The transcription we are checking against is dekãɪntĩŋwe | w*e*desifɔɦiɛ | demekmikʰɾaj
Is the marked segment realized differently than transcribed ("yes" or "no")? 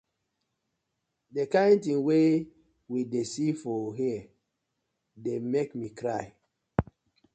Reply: yes